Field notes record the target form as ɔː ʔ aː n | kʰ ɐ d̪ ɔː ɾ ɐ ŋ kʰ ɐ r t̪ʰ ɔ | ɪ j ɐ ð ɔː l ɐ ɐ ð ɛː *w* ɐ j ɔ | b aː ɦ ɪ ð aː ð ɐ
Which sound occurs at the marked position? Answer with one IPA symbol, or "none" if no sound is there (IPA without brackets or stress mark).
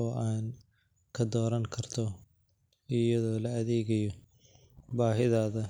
ɣ